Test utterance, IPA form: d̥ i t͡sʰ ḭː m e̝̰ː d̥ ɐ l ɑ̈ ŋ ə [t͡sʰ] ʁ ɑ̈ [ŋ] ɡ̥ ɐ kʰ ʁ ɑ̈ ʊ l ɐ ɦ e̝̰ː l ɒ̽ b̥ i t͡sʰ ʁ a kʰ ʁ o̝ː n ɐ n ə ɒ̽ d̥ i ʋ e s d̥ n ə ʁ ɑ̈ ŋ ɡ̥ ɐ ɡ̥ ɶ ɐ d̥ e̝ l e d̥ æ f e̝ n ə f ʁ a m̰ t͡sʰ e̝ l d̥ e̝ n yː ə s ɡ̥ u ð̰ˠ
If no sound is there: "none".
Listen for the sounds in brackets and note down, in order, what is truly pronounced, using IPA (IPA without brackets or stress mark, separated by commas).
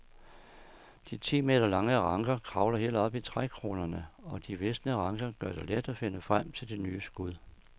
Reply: none, ŋ